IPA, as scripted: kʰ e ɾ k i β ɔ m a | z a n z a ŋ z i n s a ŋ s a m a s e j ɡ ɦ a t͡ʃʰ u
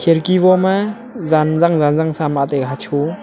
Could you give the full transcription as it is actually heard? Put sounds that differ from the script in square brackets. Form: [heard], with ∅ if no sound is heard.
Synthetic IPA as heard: kʰ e ɾ k i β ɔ m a | z a n z a ŋ z [a] n [z] a ŋ s a m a [t] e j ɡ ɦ a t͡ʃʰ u